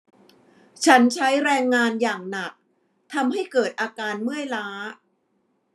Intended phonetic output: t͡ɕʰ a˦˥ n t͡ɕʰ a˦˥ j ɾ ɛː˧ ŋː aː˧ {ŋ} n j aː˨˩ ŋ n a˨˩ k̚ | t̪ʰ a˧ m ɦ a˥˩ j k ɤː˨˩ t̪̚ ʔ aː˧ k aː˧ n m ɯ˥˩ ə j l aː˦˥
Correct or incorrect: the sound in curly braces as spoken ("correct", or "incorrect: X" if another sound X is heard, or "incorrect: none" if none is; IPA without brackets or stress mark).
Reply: incorrect: none